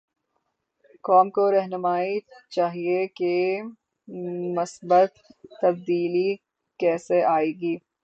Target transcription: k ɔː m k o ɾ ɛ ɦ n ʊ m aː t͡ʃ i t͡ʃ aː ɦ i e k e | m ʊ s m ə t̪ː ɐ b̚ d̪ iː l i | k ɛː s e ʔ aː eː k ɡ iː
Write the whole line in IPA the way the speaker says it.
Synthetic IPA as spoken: k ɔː m k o ɾ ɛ ɦ n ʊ m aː i t͡ʃ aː ɦ i e k e | m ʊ s b ə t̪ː ɐ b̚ d̪ iː l i | k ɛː s e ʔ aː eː ɡ iː